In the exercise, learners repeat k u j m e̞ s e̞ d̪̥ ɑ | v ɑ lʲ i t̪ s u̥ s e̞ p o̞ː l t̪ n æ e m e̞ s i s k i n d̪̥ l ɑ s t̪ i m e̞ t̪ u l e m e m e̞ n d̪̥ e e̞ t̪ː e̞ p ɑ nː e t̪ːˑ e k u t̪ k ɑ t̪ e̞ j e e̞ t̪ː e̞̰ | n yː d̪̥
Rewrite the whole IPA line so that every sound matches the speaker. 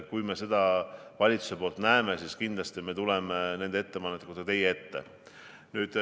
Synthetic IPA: k u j m e̞ s e̞ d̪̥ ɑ | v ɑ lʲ i t̪ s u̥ s e̞ p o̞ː l t̪ n æ e m e̞ s i s k i n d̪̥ l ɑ s t̪ i m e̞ t̪ u l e m e n e̞ n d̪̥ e e̞ t̪ː e̞ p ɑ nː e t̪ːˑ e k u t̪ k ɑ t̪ e̞ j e e̞ t̪ː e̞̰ | n yː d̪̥